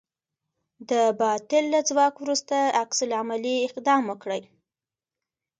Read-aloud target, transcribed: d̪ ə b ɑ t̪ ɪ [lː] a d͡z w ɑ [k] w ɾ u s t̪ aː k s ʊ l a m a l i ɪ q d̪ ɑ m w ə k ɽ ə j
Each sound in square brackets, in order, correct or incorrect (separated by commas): correct, correct